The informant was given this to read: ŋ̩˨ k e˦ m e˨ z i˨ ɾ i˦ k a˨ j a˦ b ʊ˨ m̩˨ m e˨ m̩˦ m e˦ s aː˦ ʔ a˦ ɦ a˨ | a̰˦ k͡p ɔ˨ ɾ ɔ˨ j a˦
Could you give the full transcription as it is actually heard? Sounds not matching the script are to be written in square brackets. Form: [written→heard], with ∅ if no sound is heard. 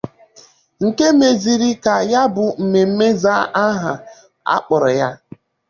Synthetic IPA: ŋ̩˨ k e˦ m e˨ z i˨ ɾ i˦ k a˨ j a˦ b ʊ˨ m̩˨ m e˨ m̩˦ m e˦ [s→z] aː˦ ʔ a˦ ɦ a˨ | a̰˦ k͡p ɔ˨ ɾ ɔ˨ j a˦